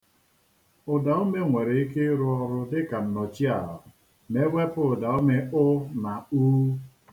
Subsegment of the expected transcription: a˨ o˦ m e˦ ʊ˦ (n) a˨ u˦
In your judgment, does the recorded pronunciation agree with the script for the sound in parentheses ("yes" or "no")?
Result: yes